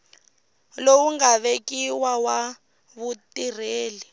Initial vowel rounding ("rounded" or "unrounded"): rounded